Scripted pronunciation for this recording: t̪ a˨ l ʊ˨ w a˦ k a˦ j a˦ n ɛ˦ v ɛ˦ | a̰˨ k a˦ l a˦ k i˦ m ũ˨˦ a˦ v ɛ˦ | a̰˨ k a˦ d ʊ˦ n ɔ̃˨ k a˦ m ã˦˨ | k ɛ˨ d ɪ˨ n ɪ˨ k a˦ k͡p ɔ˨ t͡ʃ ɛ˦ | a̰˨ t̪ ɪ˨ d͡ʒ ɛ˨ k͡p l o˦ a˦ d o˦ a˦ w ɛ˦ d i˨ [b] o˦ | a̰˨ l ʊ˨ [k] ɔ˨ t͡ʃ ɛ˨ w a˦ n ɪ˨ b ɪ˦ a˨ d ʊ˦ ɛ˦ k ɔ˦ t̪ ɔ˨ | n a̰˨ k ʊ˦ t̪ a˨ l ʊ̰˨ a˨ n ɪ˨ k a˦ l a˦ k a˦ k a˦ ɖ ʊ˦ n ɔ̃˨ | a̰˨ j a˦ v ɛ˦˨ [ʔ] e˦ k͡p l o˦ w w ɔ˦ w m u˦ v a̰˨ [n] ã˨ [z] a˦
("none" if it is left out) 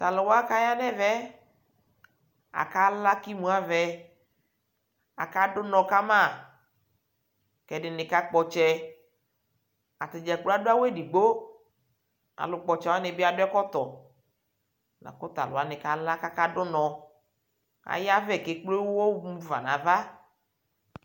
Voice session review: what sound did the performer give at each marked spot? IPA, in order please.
ɡ͡b, k͡p, k, n, v

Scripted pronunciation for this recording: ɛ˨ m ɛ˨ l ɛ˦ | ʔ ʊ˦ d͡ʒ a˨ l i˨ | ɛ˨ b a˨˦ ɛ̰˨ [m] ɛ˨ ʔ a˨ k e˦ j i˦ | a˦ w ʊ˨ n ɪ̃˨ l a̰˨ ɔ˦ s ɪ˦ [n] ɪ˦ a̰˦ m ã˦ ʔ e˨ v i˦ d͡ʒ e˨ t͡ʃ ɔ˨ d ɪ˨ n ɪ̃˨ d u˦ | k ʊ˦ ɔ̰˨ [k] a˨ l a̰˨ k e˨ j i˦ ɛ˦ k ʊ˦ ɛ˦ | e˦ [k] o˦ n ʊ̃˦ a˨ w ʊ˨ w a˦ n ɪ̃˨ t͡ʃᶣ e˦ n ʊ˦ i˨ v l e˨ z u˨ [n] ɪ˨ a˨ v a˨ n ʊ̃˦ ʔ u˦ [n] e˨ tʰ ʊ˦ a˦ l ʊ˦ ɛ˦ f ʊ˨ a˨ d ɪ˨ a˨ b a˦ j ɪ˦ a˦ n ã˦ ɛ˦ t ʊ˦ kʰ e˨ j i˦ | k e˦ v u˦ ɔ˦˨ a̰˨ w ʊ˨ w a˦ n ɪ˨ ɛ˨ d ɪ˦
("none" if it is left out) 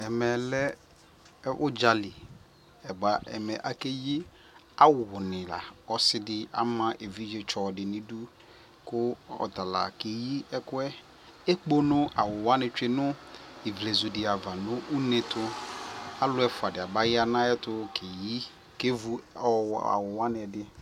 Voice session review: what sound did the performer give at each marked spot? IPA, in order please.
m, d, t, k͡p, d, n

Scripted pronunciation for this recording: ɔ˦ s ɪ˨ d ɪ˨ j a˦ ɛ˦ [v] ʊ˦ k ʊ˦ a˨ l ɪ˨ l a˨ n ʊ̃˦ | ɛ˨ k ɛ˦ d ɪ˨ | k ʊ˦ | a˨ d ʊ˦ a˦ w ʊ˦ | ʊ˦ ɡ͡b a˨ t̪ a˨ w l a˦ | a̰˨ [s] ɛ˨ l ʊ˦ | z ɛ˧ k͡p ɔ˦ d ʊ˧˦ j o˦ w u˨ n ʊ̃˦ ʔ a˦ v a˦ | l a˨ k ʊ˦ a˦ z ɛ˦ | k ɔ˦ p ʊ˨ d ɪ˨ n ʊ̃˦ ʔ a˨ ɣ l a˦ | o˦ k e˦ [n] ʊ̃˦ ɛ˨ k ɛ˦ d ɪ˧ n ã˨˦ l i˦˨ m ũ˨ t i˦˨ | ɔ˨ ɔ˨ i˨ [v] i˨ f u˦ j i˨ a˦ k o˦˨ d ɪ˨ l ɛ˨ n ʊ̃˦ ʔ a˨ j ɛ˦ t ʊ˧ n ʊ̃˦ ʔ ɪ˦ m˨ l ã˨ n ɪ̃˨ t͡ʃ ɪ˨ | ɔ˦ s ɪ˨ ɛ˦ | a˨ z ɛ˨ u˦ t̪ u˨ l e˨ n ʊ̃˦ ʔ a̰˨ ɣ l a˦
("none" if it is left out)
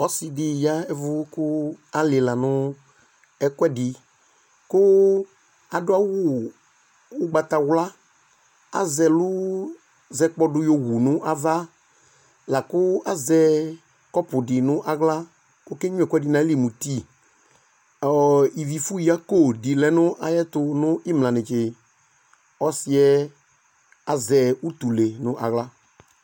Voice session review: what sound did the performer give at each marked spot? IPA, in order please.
v, z, ɲ, v

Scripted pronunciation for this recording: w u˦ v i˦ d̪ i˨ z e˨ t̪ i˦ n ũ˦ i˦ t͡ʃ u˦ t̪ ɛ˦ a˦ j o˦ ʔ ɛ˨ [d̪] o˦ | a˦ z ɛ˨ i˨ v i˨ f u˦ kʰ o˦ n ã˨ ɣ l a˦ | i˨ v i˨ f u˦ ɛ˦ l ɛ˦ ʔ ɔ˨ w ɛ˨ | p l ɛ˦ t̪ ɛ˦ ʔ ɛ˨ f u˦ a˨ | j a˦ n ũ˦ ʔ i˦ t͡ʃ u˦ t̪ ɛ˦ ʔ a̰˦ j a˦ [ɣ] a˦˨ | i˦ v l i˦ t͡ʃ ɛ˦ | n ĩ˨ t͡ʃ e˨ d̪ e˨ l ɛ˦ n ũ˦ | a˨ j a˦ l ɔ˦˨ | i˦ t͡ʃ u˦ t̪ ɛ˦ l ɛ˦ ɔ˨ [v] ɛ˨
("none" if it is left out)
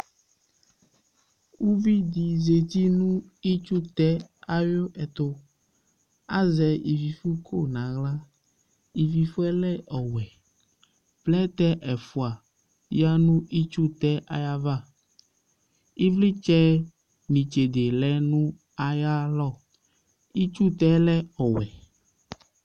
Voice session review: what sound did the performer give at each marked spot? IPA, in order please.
t̪, v, w

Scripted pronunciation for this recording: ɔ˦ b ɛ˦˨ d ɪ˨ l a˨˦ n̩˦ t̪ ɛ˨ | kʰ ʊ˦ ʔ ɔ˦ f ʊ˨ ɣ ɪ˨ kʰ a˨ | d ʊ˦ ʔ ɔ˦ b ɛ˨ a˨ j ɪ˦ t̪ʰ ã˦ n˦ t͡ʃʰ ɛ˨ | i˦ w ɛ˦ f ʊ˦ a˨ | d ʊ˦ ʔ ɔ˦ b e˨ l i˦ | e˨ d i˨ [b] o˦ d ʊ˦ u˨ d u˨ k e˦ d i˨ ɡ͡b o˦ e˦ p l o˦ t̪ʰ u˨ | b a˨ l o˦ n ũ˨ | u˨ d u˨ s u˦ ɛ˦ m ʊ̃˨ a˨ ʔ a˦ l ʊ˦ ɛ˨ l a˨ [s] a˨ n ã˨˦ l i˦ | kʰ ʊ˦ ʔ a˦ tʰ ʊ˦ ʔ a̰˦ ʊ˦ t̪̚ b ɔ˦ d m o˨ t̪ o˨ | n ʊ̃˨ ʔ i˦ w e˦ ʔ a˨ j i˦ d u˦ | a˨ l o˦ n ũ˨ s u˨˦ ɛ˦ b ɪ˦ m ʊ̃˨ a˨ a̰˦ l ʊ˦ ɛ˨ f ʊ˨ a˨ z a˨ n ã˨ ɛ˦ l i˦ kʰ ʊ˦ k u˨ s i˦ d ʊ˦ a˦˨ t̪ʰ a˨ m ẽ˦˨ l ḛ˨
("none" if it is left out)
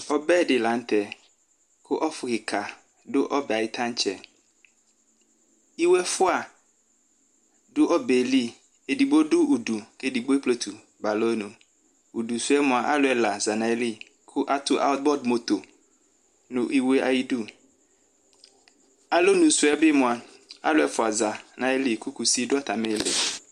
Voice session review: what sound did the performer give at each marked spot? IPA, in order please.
b, z

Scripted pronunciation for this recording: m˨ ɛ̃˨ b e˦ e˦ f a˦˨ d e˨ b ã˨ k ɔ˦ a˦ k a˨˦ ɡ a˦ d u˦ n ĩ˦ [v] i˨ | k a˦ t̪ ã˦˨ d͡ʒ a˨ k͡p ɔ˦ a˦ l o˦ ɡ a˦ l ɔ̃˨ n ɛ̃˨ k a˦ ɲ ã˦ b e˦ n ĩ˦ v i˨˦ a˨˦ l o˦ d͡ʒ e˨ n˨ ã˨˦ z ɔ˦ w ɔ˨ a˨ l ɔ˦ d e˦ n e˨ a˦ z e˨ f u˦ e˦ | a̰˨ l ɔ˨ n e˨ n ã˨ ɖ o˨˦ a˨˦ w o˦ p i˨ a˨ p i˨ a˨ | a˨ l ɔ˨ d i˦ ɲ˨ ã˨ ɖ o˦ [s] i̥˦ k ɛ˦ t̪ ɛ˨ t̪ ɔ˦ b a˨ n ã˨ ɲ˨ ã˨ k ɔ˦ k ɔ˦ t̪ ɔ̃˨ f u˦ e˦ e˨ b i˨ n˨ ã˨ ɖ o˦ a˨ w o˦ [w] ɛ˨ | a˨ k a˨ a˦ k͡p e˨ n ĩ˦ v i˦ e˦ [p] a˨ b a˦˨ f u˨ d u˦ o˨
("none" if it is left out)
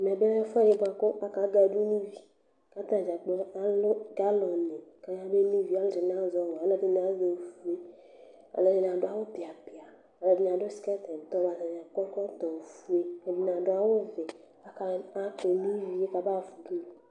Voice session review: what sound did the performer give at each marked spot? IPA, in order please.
v, s, v, k

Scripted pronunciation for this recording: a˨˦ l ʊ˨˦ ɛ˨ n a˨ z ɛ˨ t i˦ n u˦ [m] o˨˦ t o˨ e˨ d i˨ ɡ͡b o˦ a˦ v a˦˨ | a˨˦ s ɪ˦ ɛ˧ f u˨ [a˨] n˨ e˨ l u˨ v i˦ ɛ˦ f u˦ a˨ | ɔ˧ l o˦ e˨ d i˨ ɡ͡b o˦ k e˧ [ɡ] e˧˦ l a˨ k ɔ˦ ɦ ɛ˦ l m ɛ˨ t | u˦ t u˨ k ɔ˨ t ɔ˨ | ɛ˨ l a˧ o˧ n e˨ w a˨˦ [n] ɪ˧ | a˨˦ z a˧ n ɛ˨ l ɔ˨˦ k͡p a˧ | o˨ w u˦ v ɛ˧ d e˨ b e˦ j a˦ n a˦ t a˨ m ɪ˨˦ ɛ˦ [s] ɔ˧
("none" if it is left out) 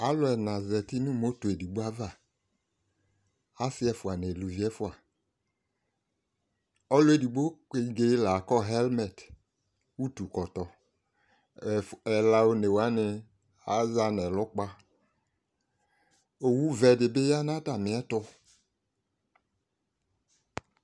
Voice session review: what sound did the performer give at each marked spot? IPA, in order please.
m, a˨, ɡ, n, t

